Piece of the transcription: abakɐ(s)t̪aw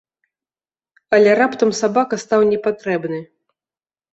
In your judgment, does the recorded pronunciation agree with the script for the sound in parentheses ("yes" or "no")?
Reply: yes